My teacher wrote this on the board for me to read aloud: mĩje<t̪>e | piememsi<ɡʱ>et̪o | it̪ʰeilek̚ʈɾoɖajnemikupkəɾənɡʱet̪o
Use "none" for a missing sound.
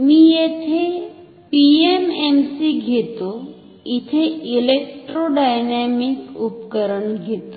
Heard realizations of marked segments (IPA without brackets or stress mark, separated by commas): t̪ʰ, ɡʱ